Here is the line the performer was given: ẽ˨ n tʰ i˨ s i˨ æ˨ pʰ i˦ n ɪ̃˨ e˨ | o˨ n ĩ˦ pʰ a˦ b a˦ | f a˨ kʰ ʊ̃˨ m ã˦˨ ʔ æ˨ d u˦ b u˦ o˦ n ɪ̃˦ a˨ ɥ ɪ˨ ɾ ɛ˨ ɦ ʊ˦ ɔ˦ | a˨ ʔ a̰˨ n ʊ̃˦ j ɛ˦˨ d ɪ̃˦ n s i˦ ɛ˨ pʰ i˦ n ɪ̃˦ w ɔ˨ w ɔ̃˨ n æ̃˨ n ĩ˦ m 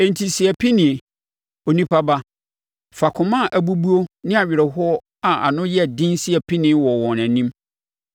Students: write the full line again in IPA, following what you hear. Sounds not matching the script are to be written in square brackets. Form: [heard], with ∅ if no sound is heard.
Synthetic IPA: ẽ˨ n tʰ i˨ s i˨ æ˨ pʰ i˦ n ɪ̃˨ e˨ | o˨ n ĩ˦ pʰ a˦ b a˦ | f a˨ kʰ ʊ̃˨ m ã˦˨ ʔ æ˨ [b] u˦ b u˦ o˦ n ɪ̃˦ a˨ ɥ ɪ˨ ɾ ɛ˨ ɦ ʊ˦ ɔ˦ | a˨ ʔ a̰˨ n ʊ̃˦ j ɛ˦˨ d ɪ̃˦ n s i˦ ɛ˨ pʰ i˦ n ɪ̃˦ w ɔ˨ w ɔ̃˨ n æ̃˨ n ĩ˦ m